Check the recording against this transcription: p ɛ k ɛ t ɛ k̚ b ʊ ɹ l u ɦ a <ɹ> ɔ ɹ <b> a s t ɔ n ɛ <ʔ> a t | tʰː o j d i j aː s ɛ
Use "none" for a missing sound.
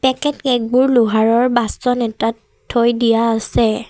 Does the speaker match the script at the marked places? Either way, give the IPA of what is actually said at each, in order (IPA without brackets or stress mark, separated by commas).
ɹ, b, t